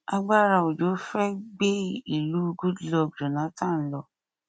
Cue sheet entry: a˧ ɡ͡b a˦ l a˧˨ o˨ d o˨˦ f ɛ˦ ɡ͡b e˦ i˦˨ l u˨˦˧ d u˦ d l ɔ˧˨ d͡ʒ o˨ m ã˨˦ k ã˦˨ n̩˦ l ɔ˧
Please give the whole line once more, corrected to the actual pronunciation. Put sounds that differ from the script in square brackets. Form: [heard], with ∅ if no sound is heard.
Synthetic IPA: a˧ ɡ͡b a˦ [ɾ] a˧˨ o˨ [d͡ʒ] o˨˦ f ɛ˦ ɡ͡b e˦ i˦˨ l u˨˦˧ [ɡ] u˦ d l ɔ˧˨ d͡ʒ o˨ [n] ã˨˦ [t] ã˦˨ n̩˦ l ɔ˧